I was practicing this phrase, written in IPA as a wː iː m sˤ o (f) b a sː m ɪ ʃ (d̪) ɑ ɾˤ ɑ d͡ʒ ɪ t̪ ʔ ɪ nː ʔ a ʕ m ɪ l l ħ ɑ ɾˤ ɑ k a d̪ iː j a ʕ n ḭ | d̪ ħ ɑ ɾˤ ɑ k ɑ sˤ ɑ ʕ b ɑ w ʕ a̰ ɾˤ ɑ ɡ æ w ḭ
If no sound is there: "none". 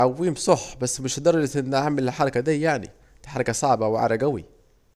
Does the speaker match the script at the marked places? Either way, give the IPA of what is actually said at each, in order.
ħ, d̪

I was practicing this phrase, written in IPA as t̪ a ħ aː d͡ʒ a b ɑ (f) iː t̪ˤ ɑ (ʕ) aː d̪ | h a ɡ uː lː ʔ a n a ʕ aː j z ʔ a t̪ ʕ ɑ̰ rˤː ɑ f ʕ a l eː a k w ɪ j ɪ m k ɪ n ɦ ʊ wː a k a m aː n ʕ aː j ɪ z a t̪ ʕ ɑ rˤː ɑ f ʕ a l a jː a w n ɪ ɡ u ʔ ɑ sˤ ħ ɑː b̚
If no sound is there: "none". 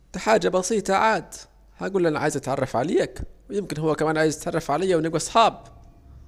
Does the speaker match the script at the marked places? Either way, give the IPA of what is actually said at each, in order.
s, ʕ

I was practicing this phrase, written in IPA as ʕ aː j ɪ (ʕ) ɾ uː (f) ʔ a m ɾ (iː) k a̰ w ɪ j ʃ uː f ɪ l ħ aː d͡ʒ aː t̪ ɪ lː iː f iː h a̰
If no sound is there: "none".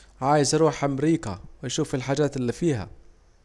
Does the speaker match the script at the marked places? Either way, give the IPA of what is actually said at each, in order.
z, ħ, iː

